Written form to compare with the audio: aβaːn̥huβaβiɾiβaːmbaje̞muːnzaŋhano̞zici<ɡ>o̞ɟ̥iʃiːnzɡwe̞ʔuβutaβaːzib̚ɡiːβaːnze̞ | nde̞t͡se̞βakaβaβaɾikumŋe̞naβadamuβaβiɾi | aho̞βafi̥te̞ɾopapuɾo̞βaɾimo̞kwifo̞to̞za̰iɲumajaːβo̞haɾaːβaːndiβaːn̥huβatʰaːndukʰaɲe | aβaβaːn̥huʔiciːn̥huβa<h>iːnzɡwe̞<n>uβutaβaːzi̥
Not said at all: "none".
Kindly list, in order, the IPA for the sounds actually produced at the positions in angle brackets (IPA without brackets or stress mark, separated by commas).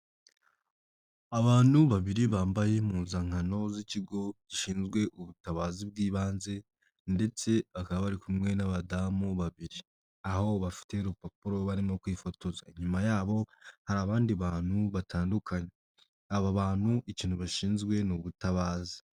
ɡ, ʃ, n